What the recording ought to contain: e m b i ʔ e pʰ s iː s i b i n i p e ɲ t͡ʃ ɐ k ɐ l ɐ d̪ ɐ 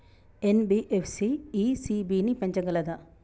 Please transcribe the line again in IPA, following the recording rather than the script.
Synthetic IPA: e n b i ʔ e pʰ s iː s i b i n i p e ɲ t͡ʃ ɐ ɡ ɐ l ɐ d̪ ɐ